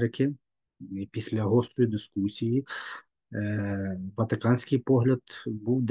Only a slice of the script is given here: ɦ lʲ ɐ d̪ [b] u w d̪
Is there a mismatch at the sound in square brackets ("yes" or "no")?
no